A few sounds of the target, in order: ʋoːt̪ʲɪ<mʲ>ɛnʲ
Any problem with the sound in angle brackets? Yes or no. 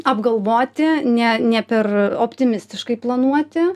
yes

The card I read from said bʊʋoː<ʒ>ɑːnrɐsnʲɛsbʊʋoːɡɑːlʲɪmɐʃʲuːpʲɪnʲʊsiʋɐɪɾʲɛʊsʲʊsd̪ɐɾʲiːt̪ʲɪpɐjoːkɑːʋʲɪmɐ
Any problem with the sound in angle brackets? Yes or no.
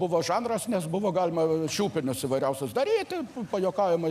no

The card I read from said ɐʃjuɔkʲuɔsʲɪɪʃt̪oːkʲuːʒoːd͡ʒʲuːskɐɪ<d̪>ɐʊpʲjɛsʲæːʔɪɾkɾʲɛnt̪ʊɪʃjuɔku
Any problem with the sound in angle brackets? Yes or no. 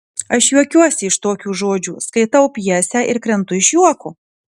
yes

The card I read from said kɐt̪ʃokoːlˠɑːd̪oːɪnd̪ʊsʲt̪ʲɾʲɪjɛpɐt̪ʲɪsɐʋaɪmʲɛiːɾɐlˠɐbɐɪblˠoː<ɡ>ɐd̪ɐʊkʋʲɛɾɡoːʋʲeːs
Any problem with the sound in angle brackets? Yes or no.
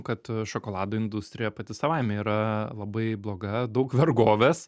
no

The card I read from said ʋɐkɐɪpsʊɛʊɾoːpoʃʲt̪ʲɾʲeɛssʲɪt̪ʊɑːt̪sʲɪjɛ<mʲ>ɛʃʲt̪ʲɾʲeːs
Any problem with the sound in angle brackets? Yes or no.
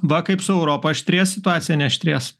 yes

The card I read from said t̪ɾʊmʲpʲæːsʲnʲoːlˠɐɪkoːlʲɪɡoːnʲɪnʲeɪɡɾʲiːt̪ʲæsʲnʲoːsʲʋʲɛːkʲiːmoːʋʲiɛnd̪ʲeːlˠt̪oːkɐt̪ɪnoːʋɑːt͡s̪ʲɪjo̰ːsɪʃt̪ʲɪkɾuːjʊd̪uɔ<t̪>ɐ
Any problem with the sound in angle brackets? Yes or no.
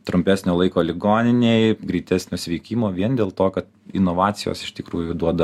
yes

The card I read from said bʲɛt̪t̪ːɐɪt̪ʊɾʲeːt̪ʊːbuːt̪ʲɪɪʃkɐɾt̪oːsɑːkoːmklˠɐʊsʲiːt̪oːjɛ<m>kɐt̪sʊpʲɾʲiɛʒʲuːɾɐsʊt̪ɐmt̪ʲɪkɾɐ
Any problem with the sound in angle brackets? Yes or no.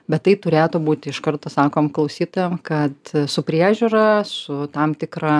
no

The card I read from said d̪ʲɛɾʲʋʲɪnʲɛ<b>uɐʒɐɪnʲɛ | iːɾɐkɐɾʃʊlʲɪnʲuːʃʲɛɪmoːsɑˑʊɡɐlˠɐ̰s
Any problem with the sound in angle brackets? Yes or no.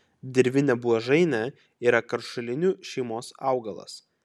no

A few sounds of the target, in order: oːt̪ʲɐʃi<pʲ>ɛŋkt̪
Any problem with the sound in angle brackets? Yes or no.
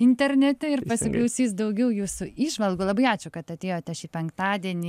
no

